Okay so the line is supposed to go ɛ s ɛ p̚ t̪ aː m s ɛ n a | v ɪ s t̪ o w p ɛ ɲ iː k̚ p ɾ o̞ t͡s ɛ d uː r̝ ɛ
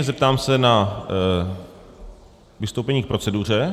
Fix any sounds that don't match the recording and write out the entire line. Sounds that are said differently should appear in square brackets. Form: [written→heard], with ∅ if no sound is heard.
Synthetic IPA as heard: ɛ [s→z] ɛ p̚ t̪ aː m s ɛ n a | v ɪ s t̪ o w p ɛ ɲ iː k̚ p ɾ o̞ t͡s ɛ d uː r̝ ɛ